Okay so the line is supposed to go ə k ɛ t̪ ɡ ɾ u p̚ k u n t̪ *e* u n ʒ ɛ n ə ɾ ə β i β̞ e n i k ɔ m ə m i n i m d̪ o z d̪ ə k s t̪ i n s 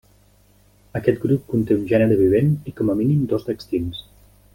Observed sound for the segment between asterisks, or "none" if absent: e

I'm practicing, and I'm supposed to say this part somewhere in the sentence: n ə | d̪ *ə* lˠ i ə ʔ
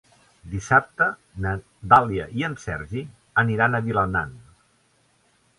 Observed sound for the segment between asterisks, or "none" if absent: a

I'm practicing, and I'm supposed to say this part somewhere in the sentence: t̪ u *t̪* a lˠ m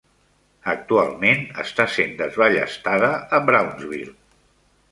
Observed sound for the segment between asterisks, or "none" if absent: none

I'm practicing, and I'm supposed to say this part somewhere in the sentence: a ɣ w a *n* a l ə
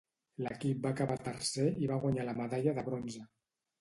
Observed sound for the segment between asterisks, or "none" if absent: ɲ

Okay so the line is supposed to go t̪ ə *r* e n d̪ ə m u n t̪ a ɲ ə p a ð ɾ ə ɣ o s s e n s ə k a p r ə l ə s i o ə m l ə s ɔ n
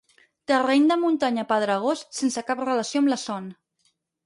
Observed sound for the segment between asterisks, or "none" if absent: r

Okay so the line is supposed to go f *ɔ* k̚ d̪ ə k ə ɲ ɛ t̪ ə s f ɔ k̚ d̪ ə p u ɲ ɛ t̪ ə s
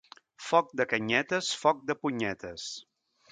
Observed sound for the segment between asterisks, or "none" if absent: ɔ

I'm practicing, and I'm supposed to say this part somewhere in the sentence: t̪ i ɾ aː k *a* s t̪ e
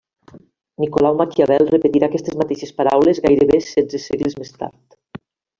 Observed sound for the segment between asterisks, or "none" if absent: ɛ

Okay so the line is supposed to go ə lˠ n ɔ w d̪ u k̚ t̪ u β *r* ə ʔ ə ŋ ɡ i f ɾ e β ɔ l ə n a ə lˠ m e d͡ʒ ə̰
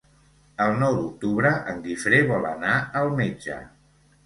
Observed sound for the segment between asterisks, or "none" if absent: ɾ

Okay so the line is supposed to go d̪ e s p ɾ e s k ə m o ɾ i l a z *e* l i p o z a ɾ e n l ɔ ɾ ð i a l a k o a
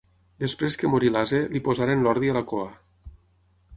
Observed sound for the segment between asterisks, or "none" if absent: e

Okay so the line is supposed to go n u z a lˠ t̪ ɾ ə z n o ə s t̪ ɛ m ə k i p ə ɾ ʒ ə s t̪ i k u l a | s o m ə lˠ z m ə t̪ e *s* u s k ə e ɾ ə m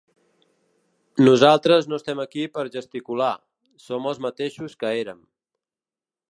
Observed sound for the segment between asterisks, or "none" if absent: ʃ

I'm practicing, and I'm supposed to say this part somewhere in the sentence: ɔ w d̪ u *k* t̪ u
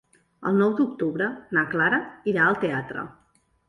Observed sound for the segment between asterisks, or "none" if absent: k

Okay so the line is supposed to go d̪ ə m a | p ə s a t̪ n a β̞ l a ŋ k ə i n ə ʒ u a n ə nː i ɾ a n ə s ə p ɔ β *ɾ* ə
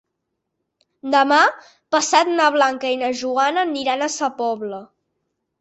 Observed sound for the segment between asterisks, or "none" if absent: l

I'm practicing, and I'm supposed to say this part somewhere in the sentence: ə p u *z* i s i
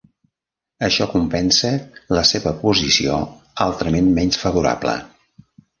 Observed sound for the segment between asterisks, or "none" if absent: z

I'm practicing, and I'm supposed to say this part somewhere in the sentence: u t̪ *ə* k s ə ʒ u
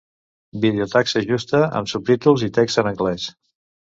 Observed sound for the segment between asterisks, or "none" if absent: a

